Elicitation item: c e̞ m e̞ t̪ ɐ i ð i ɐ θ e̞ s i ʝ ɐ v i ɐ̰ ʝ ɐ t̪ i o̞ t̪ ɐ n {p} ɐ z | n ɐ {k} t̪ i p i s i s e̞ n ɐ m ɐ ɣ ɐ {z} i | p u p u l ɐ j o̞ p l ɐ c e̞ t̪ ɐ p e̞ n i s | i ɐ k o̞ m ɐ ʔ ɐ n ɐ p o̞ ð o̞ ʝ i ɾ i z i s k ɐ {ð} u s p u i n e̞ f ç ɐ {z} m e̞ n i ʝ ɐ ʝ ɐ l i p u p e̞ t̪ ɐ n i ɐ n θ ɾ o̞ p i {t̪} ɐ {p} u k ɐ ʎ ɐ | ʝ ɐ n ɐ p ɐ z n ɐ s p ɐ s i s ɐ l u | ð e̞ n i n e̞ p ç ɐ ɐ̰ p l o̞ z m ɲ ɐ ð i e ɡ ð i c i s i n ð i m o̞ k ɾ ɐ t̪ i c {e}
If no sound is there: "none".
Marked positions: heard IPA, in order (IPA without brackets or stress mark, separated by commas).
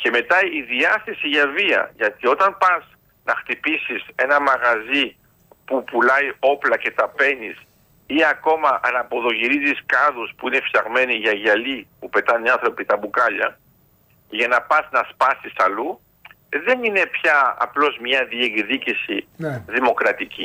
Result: p, x, z, ð, ɣ, t̪, b, i